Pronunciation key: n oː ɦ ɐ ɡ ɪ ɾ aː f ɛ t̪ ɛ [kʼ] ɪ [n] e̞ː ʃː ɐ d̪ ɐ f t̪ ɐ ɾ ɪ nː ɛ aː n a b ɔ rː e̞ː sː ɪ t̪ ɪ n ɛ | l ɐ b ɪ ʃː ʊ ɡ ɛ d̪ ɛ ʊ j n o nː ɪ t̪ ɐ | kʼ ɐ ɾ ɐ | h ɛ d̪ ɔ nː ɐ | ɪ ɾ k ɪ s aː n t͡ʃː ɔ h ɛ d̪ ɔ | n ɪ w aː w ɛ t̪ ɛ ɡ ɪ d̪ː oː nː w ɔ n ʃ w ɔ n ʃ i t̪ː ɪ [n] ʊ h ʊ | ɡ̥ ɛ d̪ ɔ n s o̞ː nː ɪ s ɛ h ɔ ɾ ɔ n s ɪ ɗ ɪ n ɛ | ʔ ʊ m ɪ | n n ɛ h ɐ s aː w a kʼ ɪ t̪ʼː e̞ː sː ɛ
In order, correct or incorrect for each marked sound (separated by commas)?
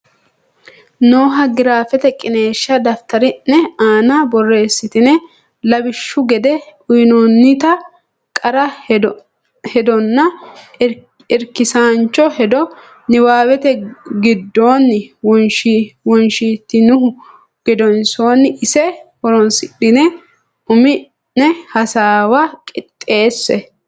correct, correct, correct